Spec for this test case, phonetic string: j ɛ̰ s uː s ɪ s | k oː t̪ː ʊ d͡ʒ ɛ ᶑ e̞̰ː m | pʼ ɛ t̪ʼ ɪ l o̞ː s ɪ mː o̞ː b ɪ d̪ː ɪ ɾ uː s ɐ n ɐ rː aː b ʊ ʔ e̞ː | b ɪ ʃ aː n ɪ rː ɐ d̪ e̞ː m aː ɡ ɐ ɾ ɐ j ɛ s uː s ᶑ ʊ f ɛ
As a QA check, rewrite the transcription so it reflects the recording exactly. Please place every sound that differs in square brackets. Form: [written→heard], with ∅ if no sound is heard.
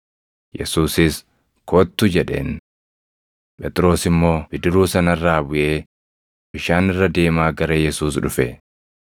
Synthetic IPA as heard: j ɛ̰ s uː s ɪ s | k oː t̪ː ʊ d͡ʒ ɛ ᶑ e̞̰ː [m→n] | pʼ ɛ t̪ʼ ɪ [l→ɾ] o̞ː s ɪ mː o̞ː b ɪ [d̪ː→d̪] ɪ ɾ uː s ɐ n ɐ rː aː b ʊ ʔ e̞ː | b ɪ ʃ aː n ɪ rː ɐ d̪ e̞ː m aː ɡ ɐ ɾ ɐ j ɛ s uː s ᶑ ʊ f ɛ